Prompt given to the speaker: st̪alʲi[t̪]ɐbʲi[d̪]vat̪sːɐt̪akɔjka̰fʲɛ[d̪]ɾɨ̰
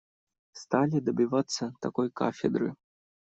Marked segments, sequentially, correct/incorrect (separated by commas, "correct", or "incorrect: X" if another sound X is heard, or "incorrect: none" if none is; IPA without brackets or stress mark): incorrect: d̪, incorrect: none, correct